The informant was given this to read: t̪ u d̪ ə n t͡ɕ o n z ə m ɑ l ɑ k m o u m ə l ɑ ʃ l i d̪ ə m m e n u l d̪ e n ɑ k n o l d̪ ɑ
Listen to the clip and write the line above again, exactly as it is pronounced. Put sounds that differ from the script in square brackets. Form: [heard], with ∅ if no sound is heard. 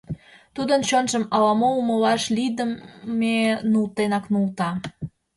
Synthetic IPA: t̪ u d̪ ə n t͡ɕ o n [ʒ] ə m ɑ l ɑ [∅] m o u m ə l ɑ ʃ l i d̪ ə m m e n u l [t̪] e n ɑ k n [u] l [t̪] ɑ